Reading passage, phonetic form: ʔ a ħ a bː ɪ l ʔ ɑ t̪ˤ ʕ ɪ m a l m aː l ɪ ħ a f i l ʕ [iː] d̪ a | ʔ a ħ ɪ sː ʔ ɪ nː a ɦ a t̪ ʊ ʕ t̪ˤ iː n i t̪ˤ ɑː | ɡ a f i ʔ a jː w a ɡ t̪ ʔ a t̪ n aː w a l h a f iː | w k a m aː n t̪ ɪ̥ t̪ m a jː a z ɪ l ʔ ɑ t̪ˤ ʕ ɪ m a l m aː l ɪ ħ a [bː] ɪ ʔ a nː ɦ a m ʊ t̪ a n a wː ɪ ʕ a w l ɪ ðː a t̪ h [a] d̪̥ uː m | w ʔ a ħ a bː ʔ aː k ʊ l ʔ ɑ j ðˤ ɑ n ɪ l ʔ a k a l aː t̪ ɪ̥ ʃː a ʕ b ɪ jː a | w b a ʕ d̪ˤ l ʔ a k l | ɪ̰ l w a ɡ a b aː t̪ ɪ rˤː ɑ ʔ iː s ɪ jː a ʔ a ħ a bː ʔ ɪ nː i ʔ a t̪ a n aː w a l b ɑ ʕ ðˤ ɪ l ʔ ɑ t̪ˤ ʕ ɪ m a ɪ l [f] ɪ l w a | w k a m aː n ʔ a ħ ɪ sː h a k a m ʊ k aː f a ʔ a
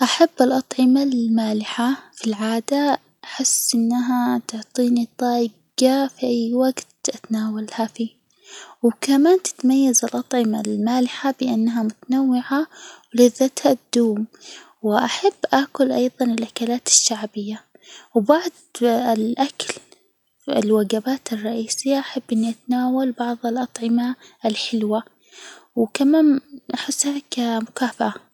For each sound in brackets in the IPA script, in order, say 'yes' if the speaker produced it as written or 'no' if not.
no, no, yes, no

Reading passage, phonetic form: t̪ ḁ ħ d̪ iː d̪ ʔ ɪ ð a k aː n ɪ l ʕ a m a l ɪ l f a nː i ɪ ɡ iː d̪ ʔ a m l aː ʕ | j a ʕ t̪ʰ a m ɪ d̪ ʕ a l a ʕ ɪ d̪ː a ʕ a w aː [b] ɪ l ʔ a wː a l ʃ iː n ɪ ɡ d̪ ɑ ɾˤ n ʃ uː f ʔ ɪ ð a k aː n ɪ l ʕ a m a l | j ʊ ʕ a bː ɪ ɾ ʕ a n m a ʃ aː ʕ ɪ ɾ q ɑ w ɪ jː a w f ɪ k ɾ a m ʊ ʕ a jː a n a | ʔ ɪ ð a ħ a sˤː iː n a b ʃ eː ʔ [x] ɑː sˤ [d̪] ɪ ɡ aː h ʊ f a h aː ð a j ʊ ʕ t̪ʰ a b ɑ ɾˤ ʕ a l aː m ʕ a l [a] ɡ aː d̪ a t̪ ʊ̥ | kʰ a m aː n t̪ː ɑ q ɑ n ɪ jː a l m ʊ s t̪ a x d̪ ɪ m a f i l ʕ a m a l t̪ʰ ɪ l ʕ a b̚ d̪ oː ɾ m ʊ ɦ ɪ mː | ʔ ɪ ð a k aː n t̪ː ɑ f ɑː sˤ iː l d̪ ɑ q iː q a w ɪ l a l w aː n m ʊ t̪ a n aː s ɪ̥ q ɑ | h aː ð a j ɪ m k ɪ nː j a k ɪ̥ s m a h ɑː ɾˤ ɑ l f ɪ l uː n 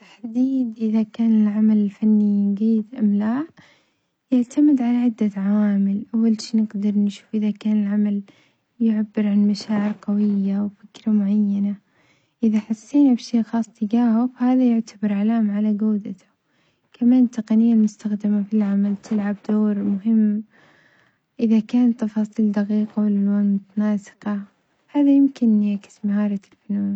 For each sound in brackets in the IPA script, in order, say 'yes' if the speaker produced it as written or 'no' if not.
no, yes, no, yes

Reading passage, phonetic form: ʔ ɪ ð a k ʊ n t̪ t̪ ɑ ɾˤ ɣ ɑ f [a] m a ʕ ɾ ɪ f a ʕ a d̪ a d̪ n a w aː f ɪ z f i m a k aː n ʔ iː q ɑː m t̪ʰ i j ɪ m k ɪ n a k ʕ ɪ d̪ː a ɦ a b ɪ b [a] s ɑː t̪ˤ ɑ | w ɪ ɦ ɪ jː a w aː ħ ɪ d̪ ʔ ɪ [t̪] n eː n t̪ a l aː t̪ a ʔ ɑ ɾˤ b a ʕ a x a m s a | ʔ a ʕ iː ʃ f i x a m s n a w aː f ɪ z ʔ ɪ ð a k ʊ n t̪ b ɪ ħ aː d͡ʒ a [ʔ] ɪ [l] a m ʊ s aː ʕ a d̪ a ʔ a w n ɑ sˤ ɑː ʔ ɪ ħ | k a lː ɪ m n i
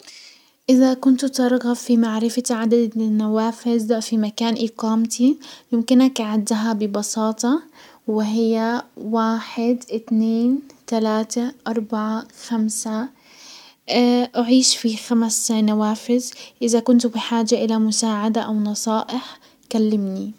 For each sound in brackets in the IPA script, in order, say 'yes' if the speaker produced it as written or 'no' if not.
no, no, yes, yes, yes

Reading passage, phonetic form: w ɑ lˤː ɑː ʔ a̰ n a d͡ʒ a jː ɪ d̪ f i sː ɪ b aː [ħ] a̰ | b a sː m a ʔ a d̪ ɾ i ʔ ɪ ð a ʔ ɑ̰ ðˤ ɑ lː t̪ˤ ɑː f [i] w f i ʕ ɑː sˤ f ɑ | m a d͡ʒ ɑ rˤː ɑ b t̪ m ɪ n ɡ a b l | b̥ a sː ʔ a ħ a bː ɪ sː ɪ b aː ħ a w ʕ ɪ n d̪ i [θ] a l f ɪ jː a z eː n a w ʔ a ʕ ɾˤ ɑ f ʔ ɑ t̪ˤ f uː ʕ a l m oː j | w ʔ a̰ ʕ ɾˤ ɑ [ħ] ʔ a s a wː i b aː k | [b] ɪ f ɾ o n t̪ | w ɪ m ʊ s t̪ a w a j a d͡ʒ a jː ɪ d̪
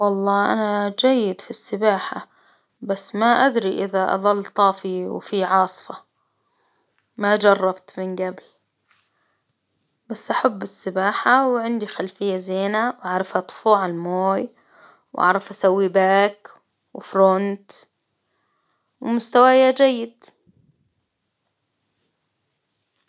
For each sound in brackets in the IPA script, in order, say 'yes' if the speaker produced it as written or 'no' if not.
yes, yes, no, no, no

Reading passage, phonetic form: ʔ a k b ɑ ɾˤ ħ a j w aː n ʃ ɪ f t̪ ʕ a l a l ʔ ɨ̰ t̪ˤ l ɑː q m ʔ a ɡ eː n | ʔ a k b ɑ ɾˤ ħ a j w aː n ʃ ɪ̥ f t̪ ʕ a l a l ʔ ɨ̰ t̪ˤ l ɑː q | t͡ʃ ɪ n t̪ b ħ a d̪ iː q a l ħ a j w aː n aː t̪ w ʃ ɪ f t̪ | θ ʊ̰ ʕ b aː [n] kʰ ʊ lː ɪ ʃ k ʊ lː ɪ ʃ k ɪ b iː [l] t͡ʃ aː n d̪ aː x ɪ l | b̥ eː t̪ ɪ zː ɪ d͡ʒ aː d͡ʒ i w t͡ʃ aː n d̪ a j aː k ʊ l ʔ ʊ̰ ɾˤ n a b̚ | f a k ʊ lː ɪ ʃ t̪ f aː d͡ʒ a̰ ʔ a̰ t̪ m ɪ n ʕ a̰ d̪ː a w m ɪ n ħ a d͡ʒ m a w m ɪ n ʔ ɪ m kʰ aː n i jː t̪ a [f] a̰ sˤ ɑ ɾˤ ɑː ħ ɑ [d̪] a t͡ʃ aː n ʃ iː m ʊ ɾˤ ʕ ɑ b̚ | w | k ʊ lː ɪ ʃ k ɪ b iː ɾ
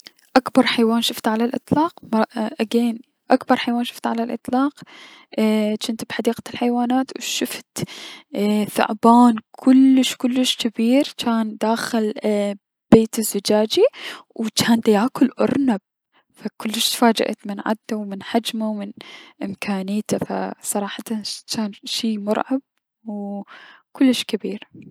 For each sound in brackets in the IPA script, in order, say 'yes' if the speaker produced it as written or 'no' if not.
yes, no, yes, no

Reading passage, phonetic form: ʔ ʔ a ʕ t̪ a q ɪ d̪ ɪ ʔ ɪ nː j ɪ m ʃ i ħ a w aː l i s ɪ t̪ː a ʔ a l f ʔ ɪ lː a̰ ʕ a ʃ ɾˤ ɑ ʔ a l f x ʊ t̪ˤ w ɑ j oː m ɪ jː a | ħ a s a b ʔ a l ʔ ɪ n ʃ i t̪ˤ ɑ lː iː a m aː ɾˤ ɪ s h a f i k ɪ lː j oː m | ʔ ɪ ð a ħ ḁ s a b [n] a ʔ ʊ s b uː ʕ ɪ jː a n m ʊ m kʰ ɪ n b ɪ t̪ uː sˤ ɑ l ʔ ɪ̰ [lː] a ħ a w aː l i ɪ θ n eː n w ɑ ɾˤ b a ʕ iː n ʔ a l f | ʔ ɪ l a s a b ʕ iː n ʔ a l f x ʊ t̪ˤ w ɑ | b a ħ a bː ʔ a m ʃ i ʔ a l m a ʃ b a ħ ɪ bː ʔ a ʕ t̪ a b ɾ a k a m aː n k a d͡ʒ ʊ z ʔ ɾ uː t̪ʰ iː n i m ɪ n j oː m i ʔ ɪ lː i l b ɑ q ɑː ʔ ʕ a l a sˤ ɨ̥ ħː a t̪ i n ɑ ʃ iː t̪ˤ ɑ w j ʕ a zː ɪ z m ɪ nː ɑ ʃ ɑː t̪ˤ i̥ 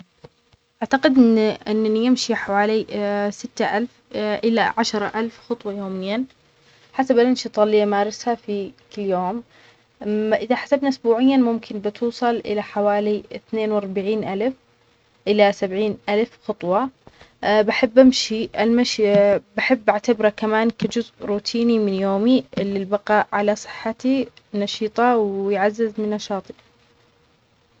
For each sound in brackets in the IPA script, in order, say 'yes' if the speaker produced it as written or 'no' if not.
yes, no

